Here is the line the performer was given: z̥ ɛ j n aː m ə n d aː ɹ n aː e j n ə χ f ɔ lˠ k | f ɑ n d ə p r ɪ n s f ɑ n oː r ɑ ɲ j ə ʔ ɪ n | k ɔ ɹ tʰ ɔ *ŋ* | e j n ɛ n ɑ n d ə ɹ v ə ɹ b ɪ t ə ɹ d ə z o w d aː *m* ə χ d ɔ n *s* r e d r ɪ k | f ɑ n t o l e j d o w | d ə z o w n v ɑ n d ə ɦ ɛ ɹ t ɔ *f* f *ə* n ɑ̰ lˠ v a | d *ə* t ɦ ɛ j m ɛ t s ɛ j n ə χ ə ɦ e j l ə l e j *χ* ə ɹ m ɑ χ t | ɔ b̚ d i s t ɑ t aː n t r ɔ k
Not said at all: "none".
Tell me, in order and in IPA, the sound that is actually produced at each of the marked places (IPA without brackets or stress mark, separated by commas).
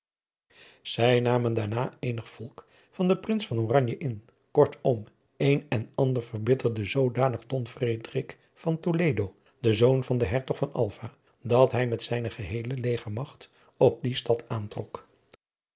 m, n, f, χ, ɑ, ɑ, χ